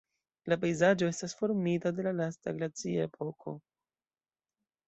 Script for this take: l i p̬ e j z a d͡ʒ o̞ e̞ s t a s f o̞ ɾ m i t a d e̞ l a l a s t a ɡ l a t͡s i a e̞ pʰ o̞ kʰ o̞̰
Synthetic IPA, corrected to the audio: l a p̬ e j z a d͡ʒ o̞ e̞ s t a s f o̞ ɾ m i t a d e̞ l a l a s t a ɡ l a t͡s i a e̞ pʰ o̞ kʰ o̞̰